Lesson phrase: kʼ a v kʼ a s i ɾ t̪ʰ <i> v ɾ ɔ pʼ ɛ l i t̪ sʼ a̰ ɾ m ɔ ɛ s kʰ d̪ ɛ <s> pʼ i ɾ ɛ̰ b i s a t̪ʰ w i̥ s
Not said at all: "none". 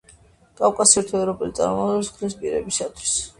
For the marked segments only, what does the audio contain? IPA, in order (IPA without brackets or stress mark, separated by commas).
ɛ, s